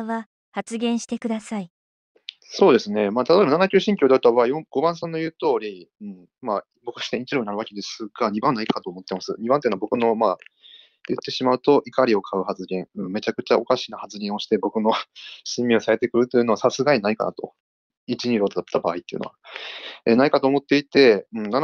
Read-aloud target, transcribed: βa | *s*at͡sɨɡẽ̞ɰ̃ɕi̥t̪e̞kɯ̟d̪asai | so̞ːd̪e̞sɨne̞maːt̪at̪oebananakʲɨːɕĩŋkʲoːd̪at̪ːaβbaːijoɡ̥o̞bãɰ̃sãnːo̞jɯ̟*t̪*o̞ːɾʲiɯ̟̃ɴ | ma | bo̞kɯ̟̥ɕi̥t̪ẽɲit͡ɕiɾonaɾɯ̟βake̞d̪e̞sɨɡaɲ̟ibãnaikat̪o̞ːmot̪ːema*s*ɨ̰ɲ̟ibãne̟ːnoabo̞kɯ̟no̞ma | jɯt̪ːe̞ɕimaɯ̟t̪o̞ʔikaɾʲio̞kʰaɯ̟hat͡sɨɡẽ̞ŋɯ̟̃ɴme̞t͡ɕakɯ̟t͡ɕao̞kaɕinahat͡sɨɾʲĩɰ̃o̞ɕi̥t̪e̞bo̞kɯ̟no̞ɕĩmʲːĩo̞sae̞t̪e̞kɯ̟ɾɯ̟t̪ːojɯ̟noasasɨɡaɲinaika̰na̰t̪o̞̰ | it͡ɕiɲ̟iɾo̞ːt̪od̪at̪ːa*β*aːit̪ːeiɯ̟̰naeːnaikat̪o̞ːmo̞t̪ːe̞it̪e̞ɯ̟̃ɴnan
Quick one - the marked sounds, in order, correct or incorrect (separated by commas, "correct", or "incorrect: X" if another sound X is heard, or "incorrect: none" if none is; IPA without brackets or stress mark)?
incorrect: h, correct, correct, incorrect: b